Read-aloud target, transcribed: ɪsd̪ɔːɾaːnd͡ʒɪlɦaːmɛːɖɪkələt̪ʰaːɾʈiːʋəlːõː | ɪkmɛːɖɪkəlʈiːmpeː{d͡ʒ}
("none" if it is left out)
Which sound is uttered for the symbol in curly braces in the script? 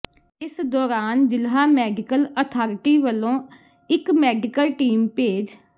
d͡ʒ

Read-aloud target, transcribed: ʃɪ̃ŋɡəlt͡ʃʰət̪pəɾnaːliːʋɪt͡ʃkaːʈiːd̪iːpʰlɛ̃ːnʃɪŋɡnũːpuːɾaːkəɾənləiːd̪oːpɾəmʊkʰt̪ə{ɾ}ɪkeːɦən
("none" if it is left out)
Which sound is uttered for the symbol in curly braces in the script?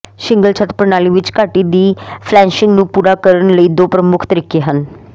ɾ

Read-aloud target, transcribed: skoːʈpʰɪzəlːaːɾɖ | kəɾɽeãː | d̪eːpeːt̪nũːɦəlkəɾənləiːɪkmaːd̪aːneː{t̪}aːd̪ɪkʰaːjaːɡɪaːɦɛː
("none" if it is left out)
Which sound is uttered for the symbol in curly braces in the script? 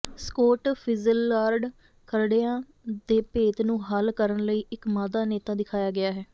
t̪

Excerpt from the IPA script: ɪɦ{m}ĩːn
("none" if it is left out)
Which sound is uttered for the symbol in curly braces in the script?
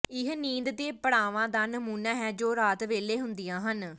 n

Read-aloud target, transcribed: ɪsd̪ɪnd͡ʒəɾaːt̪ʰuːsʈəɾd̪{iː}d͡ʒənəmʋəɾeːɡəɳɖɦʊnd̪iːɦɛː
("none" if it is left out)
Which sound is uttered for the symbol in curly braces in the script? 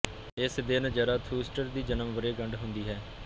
iː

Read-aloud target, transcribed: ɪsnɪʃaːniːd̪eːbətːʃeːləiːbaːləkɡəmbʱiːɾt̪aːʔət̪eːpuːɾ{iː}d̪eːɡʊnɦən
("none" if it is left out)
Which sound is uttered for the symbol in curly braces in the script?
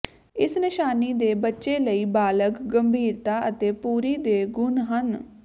iː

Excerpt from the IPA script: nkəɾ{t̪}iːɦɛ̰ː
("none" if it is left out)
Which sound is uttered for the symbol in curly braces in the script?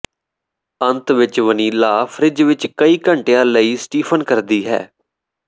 d̪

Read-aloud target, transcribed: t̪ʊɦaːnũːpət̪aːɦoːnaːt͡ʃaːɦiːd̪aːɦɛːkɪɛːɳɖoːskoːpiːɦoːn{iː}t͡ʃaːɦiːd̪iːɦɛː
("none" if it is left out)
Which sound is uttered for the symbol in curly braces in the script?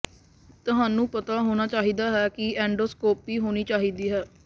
iː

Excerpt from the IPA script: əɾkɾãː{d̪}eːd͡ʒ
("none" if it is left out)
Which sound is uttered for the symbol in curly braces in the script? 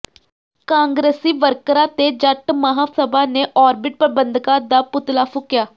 t̪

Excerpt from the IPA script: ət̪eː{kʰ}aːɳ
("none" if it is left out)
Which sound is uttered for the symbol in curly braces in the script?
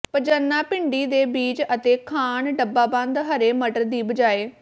kʰ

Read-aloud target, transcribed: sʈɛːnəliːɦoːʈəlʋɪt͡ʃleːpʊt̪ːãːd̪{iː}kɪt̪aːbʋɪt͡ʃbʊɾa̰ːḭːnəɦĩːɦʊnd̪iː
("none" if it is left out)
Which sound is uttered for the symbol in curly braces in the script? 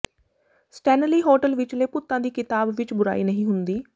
iː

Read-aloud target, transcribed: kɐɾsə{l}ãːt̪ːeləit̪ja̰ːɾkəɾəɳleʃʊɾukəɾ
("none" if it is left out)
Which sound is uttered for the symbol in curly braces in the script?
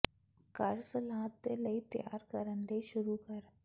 l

